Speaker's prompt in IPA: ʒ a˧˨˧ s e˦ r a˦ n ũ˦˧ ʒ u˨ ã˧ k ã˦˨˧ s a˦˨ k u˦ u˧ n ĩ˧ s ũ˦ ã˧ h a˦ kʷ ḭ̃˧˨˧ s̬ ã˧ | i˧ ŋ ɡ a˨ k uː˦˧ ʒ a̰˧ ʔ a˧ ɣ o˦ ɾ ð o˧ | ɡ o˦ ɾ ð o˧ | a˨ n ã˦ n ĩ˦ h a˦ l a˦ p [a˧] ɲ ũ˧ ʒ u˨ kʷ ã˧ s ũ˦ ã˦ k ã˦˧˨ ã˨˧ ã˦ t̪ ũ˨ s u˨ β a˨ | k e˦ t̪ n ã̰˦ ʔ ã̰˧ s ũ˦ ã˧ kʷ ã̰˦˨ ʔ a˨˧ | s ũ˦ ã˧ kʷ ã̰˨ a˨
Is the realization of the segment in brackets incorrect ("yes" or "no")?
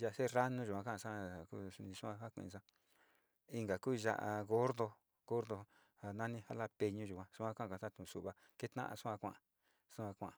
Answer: yes